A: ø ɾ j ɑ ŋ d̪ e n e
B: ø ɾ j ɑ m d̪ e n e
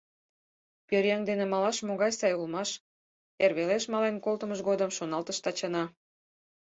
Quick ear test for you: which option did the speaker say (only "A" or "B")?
A